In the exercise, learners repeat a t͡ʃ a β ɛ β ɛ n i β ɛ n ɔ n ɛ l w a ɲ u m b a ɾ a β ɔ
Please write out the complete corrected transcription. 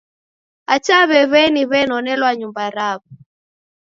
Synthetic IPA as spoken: a t͡ʃ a β ɛ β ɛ n i β ɛ n ɔ n ɛ l w a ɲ u m b a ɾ a β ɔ